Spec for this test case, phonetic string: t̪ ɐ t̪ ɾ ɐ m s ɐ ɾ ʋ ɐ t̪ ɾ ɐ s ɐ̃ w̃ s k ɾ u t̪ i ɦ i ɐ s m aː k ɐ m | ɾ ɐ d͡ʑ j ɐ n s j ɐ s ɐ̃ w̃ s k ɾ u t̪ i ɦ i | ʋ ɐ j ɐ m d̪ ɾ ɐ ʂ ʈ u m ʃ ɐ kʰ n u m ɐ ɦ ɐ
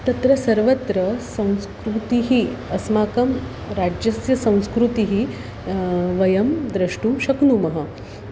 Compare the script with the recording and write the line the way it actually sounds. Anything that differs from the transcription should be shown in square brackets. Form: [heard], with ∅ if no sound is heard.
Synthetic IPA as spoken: t̪ ɐ t̪ ɾ ɐ [∅] s ɐ ɾ ʋ ɐ t̪ ɾ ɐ s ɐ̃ w̃ s k ɾ u t̪ i ɦ i ɐ s m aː k ɐ m | ɾ [a] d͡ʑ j ɐ [∅] s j ɐ s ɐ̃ w̃ s k ɾ u t̪ i ɦ i | ʋ ɐ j ɐ m d̪ ɾ ɐ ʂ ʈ u m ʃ ɐ [k] n u m ɐ ɦ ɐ